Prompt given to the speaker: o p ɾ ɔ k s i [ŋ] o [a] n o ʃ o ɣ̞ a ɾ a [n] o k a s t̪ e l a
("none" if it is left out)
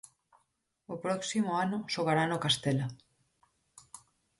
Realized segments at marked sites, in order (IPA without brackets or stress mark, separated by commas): m, a, n